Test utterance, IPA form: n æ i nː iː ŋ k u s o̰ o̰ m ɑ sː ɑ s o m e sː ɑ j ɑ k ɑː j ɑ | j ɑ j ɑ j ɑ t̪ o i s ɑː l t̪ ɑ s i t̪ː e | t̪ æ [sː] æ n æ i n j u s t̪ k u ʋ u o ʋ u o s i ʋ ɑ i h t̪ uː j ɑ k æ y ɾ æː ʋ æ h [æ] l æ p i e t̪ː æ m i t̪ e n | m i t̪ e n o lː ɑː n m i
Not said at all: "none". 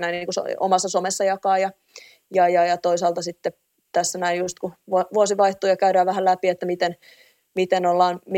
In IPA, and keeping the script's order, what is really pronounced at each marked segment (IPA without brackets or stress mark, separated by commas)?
sː, æ